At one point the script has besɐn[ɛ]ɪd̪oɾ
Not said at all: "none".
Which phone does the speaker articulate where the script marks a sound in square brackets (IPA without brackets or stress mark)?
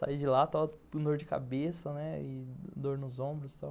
ɛ